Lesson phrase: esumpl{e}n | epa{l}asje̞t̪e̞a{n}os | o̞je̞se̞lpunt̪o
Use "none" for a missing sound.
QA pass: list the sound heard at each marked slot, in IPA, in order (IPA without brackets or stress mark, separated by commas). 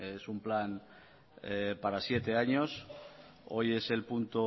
a, ɾ, ɲ